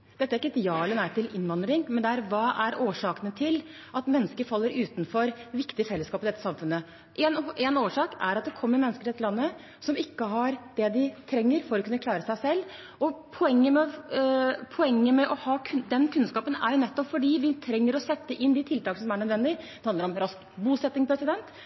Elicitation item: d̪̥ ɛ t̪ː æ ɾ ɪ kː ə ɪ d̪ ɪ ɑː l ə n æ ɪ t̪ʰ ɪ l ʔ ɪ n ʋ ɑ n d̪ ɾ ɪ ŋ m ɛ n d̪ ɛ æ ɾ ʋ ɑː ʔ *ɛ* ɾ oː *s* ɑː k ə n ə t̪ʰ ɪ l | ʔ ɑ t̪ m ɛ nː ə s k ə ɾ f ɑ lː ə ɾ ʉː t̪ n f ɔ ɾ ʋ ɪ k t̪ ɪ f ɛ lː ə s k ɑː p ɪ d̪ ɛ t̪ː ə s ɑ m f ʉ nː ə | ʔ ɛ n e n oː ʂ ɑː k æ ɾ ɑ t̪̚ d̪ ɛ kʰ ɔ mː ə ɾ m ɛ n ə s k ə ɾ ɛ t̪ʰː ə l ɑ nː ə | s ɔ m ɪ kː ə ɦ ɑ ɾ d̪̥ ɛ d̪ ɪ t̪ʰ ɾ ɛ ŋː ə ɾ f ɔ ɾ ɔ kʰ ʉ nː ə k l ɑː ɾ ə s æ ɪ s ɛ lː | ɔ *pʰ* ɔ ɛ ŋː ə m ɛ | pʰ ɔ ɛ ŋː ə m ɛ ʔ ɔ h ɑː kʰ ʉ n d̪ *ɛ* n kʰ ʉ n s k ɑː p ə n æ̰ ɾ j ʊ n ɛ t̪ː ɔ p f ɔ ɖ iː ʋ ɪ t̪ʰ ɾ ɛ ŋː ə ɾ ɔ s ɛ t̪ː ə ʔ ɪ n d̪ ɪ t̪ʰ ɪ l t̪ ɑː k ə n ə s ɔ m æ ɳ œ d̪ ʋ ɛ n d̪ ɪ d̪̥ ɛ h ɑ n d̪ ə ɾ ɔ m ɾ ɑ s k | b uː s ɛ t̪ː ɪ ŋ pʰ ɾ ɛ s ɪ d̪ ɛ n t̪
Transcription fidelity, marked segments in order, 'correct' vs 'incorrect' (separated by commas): incorrect, incorrect, correct, correct